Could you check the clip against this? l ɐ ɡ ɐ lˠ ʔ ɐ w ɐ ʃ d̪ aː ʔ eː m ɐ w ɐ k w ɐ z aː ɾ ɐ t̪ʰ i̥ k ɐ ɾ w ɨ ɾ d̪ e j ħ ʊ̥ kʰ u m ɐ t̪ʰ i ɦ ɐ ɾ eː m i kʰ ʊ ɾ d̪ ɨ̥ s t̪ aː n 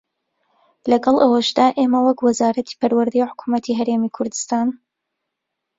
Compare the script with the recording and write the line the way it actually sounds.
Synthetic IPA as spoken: l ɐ ɡ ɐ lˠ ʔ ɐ w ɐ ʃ d̪ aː ʔ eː m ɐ w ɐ k w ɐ z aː ɾ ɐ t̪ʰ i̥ p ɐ ɾ w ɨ ɾ d̪ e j ħ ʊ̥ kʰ u m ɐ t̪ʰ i ɦ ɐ ɾ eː m i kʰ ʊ ɾ d̪ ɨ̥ s t̪ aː n